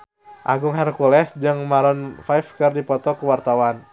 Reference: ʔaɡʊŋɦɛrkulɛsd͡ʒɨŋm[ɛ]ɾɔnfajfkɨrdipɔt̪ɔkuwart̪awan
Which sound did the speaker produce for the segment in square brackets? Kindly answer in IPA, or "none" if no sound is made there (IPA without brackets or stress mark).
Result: a